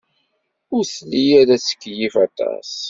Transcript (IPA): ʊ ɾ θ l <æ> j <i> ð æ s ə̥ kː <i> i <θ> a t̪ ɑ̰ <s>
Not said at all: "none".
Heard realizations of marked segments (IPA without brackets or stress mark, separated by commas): i, æ, j, f, s